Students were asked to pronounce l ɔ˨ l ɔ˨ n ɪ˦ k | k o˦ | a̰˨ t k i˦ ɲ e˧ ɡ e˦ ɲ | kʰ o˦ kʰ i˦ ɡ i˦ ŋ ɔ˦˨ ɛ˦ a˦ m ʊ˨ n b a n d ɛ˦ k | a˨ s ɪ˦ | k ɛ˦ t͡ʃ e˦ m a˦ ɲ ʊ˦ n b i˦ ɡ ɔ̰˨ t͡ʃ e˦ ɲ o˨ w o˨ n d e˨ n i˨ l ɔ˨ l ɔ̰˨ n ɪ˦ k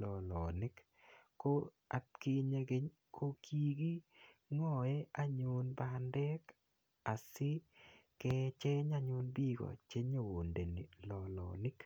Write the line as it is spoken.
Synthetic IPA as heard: l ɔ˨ l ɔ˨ n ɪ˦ k | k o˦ | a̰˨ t k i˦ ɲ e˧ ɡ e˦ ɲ | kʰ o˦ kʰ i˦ ɡ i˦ ŋ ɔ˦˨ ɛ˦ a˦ ɲ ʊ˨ n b a n d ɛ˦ k | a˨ s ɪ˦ | k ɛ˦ t͡ʃ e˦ ɲ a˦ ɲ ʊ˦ n b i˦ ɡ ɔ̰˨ t͡ʃ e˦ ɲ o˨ w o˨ n d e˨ n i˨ l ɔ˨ l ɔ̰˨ n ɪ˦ k

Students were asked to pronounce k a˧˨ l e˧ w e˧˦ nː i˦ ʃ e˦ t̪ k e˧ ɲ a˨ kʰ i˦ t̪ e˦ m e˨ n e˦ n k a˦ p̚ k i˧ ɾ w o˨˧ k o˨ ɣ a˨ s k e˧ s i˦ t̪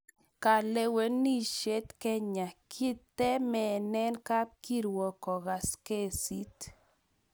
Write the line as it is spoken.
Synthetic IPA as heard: k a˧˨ l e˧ w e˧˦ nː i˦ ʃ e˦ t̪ k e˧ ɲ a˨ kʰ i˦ t̪ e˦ m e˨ n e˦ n k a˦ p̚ k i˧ ɾ w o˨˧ k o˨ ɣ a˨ s k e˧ s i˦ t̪

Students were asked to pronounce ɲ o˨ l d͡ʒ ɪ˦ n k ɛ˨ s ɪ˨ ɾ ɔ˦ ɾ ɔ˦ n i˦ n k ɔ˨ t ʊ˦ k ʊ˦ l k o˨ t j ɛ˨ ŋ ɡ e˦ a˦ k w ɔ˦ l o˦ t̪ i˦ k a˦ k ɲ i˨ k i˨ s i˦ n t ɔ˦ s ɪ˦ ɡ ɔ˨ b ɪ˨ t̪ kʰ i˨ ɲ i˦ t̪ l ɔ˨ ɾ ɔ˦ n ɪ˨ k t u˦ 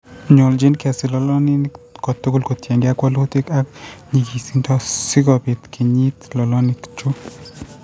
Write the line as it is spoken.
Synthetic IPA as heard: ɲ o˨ l d͡ʒ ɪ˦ n k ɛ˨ s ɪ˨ l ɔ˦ l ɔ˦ n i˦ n k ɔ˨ t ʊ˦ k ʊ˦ l k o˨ t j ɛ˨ ŋ ɡ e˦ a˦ k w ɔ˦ l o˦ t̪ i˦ k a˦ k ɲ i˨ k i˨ s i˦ n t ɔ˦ s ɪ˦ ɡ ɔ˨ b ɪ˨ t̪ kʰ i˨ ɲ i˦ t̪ l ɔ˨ l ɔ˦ n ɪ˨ k t͡ʃ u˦

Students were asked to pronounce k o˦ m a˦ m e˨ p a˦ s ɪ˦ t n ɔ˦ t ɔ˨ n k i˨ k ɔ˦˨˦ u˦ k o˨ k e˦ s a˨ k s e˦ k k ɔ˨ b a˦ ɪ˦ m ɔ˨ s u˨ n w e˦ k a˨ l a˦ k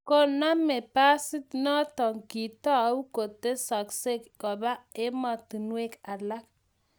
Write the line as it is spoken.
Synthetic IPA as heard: k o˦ n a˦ m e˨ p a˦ s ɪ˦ t n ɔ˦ t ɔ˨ ŋ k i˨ t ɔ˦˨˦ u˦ k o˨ t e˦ s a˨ k s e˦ k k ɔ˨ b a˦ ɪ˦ m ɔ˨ t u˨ n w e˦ k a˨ l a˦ k

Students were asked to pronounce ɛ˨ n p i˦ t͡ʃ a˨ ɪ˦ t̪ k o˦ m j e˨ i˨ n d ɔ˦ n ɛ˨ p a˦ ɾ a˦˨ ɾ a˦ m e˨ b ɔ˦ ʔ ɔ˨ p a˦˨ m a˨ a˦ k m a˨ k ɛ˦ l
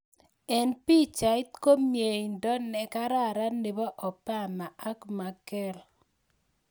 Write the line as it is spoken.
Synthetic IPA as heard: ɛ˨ n p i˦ t͡ʃ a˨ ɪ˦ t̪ k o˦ m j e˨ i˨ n d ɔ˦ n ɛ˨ k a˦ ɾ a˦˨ ɾ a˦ n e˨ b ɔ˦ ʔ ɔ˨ p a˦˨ m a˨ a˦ k m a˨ k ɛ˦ l

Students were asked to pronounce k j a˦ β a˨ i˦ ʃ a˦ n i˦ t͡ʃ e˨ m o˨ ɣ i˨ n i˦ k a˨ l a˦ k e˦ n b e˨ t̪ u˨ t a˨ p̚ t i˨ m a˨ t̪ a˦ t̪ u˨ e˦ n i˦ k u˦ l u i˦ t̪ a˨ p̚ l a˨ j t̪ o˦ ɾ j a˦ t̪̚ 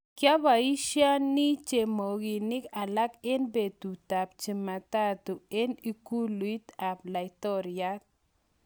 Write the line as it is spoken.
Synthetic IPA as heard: k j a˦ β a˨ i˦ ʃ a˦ n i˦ t͡ʃ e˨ m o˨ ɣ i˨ n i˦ k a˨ l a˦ k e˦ n b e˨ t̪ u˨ t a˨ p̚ t͡ʃ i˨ m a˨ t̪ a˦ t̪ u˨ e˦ n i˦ k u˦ l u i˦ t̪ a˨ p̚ l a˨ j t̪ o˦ ɾ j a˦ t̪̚

